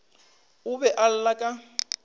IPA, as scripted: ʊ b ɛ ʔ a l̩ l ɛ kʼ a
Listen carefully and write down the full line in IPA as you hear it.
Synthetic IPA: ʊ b ɛ ʔ a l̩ l a kʼ a